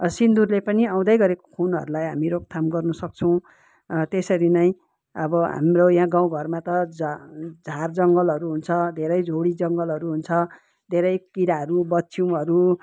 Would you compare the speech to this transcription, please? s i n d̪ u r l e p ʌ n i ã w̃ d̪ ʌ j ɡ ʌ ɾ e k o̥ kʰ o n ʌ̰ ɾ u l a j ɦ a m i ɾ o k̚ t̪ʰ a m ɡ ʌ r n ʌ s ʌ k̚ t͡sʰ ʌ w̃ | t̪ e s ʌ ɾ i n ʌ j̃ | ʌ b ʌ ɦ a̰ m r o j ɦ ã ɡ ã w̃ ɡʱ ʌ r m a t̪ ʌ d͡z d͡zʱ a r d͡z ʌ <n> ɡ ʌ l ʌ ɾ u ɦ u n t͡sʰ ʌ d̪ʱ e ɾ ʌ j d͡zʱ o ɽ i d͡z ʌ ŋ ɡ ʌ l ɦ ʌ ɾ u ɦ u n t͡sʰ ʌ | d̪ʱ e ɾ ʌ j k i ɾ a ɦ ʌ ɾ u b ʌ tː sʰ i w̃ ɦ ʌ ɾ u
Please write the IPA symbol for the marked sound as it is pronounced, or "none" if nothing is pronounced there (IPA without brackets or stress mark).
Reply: ŋ